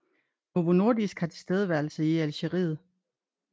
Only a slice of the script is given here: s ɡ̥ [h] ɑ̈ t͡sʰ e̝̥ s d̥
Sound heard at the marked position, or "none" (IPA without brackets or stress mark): h